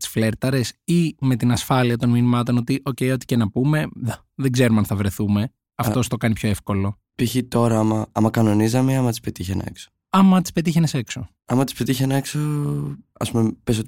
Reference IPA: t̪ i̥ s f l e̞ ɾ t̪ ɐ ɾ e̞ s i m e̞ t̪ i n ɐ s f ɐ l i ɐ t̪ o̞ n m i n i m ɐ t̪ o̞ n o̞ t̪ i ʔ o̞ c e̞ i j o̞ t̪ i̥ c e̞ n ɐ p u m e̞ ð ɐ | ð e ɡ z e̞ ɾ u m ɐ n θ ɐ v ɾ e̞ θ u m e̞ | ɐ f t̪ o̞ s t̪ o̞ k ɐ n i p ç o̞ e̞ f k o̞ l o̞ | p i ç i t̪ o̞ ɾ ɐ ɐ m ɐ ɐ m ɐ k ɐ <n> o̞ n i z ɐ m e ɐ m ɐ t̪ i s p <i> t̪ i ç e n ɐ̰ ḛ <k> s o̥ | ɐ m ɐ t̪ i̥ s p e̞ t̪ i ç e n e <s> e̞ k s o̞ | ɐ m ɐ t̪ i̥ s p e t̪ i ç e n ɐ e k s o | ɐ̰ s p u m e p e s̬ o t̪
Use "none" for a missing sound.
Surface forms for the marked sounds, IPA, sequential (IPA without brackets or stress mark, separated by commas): n, e, k, s